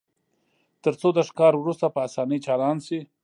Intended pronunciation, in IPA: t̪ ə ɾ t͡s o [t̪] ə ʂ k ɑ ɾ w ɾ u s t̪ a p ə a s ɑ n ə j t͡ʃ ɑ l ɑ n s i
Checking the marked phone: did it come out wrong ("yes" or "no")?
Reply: yes